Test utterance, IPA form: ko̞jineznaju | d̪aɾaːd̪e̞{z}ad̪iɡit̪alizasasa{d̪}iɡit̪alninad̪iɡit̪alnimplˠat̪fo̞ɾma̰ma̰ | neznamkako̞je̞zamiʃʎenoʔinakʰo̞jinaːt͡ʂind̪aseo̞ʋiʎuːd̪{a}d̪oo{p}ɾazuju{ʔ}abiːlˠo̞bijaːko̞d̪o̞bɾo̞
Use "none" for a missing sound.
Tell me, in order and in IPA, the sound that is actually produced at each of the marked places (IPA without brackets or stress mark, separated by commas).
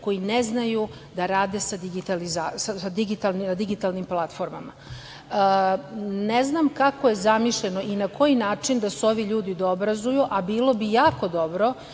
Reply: s, d̪, i, b, ʔ